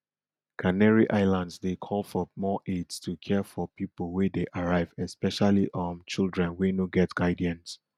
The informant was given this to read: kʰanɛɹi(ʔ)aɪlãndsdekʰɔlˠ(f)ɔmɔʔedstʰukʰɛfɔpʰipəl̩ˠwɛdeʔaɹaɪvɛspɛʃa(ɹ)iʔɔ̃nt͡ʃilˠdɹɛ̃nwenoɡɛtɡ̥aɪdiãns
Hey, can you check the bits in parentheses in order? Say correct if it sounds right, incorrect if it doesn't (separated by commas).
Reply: correct, correct, incorrect